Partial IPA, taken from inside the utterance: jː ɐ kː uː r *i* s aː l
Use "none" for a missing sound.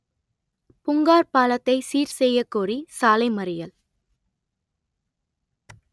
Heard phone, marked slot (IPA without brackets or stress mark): i